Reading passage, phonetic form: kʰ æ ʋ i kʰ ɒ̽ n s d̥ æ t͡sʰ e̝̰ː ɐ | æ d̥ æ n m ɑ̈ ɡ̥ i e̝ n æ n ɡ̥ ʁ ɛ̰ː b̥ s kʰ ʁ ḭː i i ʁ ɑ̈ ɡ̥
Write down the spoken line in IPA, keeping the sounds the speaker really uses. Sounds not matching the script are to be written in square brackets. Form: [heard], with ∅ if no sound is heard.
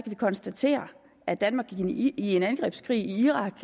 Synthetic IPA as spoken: kʰ æ ʋ i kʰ ɒ̽ n s d̥ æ t͡sʰ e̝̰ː ɐ | æ d̥ æ n m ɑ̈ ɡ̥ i e̝ n æ n ɡ̥ ʁ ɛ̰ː b̥ s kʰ ʁ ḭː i i ʁ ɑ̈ ɡ̥